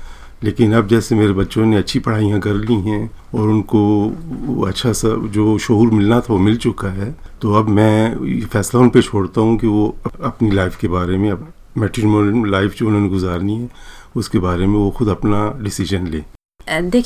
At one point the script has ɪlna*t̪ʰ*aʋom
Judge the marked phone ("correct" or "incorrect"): correct